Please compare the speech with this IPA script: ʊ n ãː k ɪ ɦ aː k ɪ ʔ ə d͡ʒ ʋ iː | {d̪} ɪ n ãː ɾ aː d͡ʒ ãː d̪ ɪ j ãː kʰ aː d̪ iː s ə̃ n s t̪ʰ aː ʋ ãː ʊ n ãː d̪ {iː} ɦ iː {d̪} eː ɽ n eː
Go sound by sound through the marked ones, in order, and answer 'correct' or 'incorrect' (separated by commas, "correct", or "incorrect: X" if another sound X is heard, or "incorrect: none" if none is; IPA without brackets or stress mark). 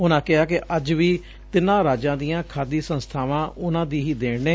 incorrect: t̪, correct, correct